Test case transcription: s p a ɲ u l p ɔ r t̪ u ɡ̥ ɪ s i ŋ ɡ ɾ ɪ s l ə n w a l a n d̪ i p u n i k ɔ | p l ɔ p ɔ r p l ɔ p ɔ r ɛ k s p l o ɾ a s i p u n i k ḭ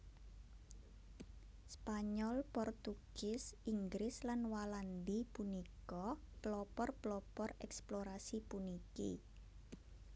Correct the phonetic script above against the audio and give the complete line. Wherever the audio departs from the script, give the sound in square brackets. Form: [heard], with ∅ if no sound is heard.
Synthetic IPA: s p a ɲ [ɔ] l p ɔ r t̪ u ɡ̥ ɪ s i ŋ ɡ ɾ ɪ s l [a] n w a l a n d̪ i p u n i k ɔ | p l ɔ p ɔ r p l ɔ p ɔ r ɛ k s p l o ɾ a s i p u n i k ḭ